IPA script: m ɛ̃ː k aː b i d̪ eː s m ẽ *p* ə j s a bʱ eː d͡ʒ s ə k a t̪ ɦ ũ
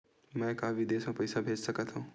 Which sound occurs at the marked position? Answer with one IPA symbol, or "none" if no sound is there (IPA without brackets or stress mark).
p